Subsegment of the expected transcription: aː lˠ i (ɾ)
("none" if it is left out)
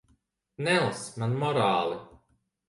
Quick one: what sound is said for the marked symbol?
none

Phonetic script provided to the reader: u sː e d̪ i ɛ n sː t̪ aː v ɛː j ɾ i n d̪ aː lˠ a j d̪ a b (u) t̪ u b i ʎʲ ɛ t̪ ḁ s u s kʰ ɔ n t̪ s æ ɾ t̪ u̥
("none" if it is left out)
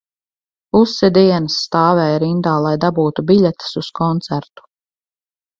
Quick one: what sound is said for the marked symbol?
uː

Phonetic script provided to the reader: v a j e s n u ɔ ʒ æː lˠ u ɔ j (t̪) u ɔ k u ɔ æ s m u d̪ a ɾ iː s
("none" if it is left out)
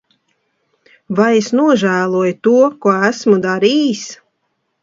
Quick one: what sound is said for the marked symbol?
t̪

